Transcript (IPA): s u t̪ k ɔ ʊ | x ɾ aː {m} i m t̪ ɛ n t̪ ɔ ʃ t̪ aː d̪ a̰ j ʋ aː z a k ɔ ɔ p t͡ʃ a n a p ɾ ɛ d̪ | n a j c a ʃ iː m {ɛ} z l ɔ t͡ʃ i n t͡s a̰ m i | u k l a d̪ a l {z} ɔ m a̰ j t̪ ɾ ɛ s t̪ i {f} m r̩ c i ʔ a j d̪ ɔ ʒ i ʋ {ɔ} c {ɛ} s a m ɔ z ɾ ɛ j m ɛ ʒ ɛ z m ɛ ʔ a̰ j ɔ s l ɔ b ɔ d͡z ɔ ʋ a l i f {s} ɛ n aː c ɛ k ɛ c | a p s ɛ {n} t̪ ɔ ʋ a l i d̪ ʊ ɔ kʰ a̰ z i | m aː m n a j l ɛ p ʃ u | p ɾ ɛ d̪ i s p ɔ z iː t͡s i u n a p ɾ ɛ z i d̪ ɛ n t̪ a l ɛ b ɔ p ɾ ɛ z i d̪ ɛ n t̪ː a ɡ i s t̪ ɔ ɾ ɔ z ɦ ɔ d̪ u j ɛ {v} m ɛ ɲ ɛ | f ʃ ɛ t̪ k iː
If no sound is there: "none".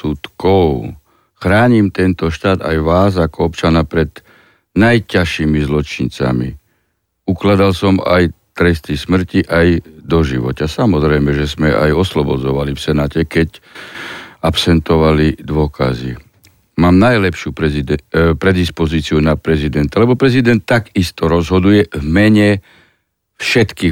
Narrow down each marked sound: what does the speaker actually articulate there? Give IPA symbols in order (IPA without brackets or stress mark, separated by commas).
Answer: ɲ, i, s, s, ɔ, a, s, n, v